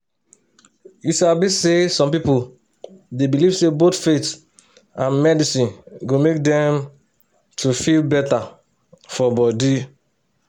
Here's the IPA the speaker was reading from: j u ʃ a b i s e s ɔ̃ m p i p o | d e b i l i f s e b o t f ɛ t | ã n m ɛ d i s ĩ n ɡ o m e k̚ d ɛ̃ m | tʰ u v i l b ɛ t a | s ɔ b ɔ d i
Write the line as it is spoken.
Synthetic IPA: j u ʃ a b i s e s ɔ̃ m p i p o | d e b i l i v s e b o t f e t | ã n m ɛ d i s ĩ n ɡ o m e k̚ d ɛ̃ m | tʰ u f i l b ɛ t a | f ɔ b ɔ d i